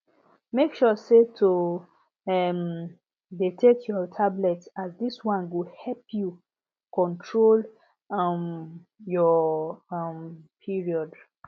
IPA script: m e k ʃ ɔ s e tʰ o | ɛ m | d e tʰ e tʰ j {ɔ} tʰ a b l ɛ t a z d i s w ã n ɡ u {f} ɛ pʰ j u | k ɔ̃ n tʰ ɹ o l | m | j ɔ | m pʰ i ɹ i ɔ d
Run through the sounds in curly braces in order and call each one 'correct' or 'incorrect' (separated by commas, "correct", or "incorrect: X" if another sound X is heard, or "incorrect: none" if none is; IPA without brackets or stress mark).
correct, incorrect: h